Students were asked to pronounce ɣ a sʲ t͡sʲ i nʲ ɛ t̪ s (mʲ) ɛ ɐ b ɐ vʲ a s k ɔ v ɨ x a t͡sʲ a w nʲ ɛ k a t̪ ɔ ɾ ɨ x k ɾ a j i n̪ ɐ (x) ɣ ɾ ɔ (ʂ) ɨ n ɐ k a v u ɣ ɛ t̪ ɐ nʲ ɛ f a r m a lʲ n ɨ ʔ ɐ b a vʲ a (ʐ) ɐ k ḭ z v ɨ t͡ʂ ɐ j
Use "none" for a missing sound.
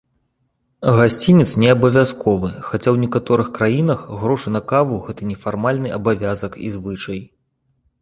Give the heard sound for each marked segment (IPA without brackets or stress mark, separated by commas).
nʲ, x, ʂ, z